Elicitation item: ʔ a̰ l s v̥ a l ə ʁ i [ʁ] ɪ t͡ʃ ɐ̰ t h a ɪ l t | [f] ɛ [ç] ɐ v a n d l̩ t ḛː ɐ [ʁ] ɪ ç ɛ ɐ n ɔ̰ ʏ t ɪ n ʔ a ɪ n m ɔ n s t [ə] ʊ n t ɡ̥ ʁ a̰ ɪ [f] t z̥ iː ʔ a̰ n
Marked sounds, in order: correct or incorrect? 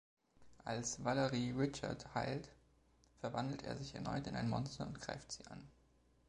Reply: correct, correct, incorrect, incorrect, incorrect, correct

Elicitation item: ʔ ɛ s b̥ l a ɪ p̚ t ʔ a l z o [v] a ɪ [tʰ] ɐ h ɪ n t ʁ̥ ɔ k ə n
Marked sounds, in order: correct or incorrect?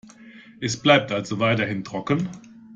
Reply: correct, incorrect

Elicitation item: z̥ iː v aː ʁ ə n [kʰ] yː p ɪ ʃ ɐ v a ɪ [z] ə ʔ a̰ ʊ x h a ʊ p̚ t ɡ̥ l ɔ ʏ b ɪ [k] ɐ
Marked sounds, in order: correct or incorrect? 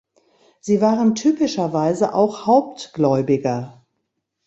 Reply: incorrect, correct, incorrect

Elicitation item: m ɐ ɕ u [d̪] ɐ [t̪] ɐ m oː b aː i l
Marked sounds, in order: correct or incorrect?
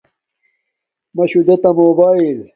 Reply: correct, correct

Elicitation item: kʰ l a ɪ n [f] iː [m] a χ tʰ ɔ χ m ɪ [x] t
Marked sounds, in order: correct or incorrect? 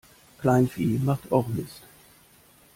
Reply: correct, correct, incorrect

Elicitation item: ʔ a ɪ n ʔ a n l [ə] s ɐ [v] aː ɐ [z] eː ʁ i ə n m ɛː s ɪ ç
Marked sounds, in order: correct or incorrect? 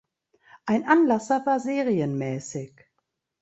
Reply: incorrect, correct, correct

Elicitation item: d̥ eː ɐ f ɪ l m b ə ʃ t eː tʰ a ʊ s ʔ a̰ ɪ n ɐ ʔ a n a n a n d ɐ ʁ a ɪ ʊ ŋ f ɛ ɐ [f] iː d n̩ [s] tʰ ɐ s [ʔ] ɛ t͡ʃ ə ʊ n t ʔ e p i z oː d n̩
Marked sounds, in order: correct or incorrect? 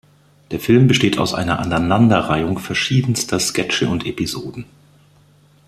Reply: incorrect, correct, incorrect

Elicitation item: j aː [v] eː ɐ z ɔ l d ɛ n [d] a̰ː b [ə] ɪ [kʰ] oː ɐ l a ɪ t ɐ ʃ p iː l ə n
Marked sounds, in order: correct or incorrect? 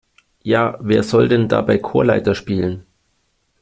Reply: correct, correct, incorrect, correct

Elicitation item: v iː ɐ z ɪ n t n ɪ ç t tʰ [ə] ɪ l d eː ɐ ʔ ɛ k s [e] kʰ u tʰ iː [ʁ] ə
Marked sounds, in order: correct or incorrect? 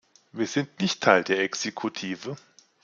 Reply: incorrect, correct, incorrect

